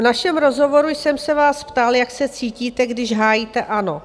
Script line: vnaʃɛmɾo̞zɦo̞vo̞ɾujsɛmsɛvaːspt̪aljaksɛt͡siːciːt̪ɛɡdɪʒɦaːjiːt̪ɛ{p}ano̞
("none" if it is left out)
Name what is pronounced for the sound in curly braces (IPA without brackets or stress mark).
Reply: ʔ